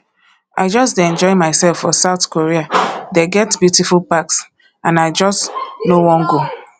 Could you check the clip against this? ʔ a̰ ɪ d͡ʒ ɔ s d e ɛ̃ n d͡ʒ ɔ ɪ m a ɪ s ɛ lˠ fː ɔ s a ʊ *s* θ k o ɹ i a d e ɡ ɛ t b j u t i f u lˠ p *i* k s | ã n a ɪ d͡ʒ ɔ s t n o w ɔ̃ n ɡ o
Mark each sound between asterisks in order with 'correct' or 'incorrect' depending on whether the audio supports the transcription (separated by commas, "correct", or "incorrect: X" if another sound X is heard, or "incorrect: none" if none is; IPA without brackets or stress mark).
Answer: incorrect: none, incorrect: a